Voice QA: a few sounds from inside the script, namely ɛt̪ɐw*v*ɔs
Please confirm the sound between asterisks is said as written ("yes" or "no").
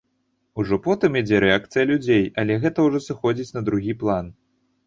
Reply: no